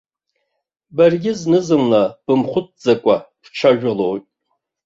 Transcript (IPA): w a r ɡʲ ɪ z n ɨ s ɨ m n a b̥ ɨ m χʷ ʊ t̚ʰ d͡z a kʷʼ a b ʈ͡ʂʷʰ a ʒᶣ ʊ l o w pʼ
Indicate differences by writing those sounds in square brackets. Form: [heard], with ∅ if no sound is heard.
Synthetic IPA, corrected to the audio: [b] a r ɡʲ ɪ z n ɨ [z] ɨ m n a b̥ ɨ m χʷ ʊ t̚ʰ d͡z a kʷʼ a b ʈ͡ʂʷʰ a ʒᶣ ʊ l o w [tʼ]